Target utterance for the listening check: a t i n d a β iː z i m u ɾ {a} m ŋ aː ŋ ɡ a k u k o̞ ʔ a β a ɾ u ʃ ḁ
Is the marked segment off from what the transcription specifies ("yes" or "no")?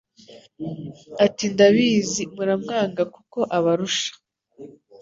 no